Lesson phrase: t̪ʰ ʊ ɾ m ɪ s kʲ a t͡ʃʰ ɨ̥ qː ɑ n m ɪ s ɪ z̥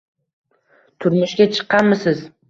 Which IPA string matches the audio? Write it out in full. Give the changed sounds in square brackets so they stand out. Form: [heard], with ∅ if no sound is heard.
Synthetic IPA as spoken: t̪ʰ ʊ ɾ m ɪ [ʃ] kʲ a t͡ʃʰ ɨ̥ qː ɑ n m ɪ s ɪ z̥